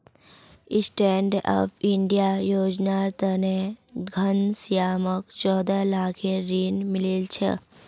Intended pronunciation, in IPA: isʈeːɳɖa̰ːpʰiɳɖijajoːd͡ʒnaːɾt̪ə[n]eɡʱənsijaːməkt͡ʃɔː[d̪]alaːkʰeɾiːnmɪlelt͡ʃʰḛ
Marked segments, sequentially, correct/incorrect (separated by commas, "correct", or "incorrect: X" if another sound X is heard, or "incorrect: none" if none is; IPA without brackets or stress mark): correct, correct